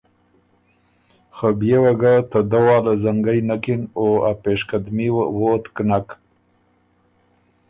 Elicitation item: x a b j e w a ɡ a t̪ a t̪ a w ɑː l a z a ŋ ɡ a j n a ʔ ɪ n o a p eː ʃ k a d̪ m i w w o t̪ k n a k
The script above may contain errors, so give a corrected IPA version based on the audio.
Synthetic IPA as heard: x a b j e w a ɡ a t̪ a d̪ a w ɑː l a z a ŋ ɡ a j n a k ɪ n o a p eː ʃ k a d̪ m i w w o t̪ k n a k